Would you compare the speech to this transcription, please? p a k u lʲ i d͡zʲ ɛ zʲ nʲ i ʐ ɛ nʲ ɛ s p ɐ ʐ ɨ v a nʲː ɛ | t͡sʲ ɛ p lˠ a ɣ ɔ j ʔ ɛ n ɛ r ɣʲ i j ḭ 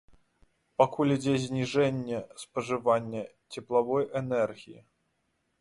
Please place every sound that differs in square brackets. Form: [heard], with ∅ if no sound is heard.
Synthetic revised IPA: p a k u lʲ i d͡zʲ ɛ zʲ nʲ i ʐ ɛ [nʲː] ɛ s p ɐ ʐ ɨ v a nʲː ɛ | t͡sʲ ɛ p lˠ a [v] ɔ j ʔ ɛ n ɛ r ɣʲ i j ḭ